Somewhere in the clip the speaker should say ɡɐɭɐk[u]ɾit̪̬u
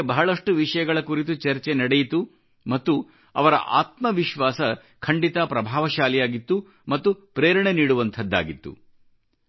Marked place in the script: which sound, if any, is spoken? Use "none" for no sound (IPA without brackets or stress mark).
u